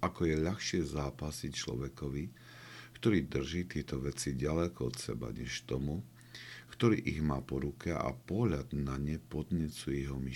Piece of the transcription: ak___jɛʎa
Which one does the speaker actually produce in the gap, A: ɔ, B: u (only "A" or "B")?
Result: A